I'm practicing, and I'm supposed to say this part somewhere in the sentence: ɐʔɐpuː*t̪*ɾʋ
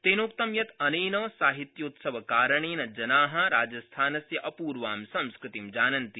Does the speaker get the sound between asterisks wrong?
yes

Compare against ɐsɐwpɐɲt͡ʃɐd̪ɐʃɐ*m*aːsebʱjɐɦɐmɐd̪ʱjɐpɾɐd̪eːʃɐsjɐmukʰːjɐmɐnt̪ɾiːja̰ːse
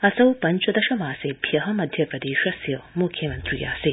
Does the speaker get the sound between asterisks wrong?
no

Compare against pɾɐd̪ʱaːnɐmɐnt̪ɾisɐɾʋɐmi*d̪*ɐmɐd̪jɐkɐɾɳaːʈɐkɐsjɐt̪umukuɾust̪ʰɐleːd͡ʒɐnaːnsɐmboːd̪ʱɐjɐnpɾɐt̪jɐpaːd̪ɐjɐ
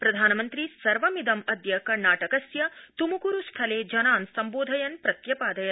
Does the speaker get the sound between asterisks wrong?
no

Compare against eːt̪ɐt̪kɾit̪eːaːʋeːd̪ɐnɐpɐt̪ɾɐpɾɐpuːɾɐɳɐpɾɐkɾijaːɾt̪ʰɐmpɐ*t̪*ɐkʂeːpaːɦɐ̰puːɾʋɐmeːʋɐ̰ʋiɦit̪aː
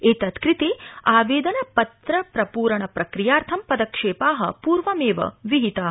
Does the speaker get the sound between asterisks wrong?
yes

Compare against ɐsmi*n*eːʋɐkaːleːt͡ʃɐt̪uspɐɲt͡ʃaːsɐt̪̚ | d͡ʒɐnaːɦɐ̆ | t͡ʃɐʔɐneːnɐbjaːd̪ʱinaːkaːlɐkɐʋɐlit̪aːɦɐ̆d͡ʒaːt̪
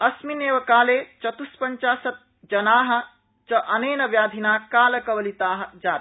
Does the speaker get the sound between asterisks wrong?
no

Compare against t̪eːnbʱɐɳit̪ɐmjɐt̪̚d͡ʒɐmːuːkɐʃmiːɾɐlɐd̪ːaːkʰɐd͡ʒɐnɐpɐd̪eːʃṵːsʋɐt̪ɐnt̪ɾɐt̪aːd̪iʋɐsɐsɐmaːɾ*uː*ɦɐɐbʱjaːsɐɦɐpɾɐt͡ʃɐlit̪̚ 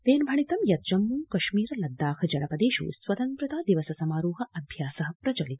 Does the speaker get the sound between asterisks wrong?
no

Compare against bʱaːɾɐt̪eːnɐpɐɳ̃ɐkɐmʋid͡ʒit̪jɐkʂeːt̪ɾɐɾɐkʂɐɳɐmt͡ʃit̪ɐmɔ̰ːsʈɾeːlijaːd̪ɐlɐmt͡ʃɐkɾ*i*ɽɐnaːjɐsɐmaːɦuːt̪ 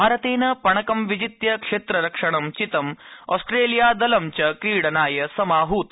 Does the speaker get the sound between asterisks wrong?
yes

